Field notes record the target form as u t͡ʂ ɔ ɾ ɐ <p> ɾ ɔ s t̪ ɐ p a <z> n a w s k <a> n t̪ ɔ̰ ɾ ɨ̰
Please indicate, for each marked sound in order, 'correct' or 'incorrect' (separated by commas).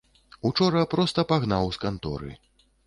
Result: correct, incorrect, correct